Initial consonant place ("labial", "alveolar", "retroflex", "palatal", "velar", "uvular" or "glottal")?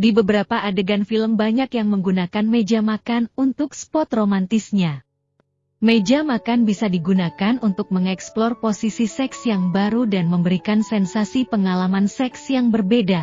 alveolar